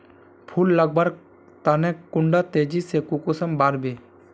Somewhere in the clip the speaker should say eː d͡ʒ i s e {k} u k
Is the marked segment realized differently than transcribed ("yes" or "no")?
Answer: no